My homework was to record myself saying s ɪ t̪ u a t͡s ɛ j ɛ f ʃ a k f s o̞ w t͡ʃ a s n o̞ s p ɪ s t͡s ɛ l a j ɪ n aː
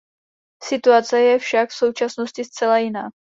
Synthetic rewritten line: s ɪ t̪ u a t͡s ɛ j ɛ f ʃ a k f s o̞ w t͡ʃ a s n o̞ s c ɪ s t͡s ɛ l a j ɪ n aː